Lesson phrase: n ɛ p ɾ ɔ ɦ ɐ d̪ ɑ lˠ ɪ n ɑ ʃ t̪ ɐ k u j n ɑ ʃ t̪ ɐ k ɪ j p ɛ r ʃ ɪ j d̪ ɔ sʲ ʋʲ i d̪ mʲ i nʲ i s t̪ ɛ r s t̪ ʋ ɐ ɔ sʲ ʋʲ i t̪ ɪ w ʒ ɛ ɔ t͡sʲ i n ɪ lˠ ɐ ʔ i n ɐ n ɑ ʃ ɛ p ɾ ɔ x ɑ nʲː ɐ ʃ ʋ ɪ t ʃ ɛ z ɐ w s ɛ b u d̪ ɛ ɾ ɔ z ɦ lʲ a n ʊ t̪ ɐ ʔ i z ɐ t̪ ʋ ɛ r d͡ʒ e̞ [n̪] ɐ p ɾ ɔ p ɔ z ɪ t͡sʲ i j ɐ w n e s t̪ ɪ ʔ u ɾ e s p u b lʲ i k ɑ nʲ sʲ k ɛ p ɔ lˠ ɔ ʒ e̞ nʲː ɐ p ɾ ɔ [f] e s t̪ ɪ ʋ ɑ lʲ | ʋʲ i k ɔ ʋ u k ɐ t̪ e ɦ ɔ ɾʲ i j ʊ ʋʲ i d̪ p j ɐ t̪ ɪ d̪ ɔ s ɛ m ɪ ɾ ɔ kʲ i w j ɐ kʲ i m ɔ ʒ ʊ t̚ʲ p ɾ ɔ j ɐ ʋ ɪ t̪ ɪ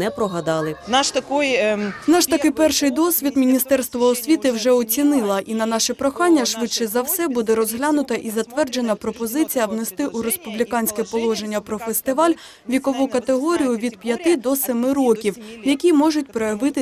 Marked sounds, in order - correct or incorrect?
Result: correct, correct

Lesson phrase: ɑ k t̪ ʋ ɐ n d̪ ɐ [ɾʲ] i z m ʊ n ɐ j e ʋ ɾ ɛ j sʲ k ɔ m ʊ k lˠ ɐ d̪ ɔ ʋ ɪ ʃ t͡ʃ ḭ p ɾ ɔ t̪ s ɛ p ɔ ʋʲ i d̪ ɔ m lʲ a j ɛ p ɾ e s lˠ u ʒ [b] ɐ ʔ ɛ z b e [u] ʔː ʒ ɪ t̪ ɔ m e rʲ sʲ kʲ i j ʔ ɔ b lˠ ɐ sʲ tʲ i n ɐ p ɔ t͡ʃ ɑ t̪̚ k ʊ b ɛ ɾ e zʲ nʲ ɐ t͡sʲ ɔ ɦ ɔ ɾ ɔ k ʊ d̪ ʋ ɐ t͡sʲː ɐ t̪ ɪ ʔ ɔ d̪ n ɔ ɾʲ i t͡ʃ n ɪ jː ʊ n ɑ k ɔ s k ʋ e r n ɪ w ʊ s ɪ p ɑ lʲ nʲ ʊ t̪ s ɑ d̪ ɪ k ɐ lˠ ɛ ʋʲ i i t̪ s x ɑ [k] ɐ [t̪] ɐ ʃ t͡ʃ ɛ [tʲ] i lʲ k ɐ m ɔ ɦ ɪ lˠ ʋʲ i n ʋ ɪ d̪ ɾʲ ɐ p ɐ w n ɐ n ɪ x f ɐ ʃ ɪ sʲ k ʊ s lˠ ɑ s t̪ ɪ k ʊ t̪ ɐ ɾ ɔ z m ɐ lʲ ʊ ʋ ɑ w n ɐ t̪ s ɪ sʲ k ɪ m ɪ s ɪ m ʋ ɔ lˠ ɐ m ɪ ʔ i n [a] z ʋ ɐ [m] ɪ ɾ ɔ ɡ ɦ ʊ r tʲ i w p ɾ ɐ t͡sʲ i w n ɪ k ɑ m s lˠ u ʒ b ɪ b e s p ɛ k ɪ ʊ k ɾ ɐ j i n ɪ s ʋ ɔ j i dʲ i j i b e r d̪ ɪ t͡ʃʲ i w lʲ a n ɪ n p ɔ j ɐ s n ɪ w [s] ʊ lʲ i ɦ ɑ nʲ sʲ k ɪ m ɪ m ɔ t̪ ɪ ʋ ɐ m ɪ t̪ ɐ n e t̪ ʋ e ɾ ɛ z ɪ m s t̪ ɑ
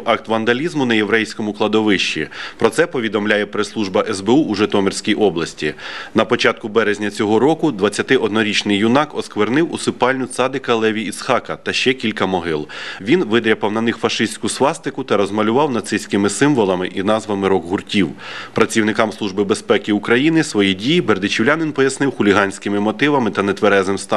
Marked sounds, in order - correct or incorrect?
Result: incorrect: lʲ, correct, correct, correct, correct, incorrect: kʲ, incorrect: ɑ, correct, incorrect: x

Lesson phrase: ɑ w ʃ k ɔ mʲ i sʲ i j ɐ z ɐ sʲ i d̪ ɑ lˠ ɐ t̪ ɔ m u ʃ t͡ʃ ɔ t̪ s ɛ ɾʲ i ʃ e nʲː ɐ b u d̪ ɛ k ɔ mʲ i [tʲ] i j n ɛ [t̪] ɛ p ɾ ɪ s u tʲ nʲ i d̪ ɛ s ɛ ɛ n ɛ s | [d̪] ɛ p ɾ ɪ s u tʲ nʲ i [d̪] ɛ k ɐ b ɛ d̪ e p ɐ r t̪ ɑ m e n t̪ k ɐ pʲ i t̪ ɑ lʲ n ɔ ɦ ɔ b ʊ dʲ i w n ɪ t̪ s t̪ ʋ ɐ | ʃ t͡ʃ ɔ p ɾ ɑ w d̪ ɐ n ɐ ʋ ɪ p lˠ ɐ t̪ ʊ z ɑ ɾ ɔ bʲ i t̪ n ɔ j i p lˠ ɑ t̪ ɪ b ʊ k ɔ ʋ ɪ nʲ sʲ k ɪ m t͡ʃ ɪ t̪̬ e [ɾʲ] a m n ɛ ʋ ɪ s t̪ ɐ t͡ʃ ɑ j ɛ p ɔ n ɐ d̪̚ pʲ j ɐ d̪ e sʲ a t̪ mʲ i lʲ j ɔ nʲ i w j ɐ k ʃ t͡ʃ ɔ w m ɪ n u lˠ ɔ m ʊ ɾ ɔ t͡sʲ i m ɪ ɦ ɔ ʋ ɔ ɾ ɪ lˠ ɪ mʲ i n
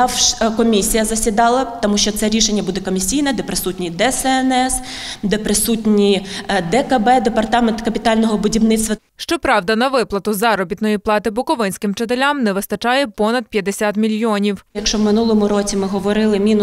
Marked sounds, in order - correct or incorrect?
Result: incorrect: sʲ, incorrect: d̪, correct, correct, incorrect: lʲ

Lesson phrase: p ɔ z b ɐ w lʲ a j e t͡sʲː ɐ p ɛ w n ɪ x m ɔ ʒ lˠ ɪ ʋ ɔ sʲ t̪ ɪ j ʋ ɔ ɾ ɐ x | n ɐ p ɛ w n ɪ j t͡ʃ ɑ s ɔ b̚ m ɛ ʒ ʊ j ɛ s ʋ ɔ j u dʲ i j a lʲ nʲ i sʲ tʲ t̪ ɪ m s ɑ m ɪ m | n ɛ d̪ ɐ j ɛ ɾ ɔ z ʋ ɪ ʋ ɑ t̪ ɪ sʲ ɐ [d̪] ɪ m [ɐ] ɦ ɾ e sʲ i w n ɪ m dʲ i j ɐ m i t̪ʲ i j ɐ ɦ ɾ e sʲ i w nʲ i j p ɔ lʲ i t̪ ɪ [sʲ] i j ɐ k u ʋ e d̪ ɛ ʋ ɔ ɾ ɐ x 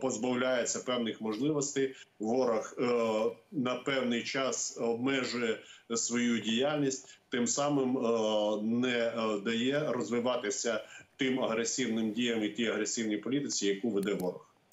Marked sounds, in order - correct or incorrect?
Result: incorrect: t̪, correct, incorrect: t͡sʲ

